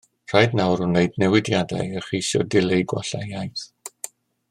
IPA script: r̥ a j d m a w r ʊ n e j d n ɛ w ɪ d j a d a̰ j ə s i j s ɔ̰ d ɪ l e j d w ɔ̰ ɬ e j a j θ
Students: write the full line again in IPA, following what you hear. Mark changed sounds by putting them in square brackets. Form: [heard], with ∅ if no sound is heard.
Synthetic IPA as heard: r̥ a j d [n] a w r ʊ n e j d n ɛ w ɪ d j a d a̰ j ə [χ] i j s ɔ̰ d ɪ l e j [ɡ] w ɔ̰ ɬ [a] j a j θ